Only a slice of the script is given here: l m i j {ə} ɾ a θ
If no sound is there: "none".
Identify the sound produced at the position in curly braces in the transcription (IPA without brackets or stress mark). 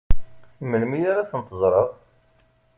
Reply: a